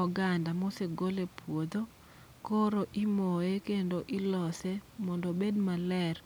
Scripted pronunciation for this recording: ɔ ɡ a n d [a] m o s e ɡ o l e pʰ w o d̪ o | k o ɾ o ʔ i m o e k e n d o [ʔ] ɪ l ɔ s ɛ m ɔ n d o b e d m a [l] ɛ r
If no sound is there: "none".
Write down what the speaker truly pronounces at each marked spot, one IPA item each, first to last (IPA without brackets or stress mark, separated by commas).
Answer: a, ʔ, l